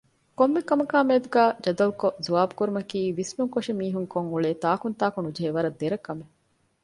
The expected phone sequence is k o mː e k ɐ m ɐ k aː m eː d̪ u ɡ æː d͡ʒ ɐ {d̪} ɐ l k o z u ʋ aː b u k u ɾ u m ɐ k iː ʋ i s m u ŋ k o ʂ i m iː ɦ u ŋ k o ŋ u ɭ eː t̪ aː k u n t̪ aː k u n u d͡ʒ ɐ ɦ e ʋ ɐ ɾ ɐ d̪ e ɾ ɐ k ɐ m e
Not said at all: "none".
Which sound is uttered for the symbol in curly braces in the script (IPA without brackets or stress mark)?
d̪